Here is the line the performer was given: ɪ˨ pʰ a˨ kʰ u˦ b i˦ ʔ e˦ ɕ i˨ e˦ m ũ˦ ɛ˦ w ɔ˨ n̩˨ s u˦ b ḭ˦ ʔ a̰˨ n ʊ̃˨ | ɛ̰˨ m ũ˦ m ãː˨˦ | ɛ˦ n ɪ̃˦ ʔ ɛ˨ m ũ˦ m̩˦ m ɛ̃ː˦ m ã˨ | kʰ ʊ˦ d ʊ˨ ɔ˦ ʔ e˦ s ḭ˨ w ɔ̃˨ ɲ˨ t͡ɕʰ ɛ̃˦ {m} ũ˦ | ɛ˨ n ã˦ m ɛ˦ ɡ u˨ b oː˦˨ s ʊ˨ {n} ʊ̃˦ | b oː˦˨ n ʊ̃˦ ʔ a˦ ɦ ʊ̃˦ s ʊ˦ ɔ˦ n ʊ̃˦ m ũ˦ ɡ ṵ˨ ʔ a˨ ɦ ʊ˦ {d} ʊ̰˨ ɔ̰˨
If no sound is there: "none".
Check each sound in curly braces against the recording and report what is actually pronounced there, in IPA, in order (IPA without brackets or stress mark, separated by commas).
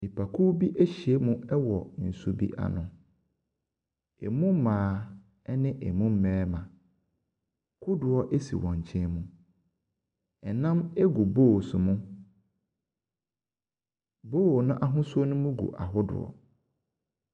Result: m, m, d